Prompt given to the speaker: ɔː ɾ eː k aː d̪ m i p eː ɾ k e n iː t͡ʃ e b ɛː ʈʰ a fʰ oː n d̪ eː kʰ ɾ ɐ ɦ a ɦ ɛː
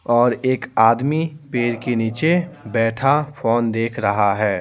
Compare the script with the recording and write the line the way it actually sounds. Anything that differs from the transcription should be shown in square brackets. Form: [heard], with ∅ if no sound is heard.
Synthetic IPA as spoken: ɔː ɾ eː k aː d̪ m i p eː ɾ k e n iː t͡ʃ e b ɛː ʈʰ a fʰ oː n d̪ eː kʰ ɾ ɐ ɦ a ɦ ɛː